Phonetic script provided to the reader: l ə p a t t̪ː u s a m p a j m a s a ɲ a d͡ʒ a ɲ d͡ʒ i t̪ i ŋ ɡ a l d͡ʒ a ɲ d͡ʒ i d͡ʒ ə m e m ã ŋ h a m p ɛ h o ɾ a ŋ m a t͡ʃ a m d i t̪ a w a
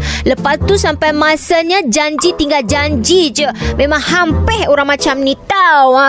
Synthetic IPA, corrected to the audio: l ə p a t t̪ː u s a m p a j m a s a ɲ a d͡ʒ a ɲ d͡ʒ i t̪ i ŋ ɡ a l d͡ʒ a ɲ d͡ʒ i d͡ʒ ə m e m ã ŋ h a m p ɛ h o ɾ a ŋ m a t͡ʃ a m n i t̪ a w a